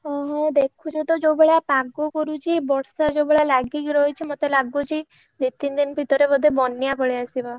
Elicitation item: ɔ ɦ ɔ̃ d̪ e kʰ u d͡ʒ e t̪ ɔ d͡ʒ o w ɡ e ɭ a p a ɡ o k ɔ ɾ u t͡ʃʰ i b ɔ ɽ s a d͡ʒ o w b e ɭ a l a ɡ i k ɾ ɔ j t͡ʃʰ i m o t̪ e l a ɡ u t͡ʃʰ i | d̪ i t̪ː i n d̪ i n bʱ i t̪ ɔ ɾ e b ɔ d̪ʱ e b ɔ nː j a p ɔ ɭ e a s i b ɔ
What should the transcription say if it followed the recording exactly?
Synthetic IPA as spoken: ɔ ɦ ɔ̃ d̪ e kʰ u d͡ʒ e t̪ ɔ d͡ʒ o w b e ɭ a p a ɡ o k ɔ ɾ u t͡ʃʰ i b ɔ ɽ s a d͡ʒ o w b e ɭ a l a ɡ i k ɾ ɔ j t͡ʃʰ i m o t̪ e l a ɡ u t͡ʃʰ i | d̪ i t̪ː i n d̪ i n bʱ i t̪ ɔ ɾ e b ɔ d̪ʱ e b ɔ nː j a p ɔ ɭ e a s i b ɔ